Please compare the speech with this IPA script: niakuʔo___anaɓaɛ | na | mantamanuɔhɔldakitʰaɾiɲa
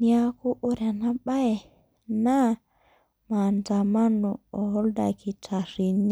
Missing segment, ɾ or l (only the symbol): ɾ